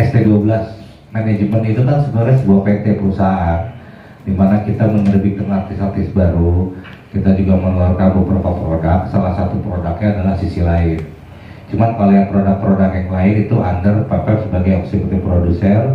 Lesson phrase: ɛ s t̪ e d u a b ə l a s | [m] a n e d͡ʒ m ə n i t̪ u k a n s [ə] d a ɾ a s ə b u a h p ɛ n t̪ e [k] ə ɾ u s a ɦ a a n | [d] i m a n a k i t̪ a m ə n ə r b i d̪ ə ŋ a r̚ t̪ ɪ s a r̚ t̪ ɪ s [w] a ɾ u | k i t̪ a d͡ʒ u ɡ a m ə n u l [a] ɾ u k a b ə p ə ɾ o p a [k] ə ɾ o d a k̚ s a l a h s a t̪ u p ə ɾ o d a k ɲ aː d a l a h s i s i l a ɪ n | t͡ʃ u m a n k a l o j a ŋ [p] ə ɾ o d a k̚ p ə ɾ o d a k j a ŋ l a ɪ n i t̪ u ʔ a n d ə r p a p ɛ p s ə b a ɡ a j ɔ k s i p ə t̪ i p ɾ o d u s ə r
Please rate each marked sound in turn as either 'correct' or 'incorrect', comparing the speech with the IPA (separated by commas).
correct, correct, incorrect, correct, incorrect, correct, incorrect, correct